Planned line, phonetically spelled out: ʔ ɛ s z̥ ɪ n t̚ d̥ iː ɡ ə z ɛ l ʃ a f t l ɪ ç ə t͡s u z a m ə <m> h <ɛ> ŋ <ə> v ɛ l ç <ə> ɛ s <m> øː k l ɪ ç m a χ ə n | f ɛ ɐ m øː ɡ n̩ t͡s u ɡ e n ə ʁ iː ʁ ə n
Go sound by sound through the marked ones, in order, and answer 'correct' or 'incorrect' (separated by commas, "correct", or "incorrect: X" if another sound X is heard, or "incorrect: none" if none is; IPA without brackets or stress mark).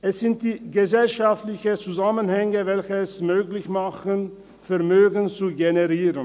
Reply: incorrect: n, correct, correct, correct, correct